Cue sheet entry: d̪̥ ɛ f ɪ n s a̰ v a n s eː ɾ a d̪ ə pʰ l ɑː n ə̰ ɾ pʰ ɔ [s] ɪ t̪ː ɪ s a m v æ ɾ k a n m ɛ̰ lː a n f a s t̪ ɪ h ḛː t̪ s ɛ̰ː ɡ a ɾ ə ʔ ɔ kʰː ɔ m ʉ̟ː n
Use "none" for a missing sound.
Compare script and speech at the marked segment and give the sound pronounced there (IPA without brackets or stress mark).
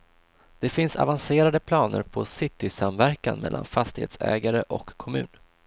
s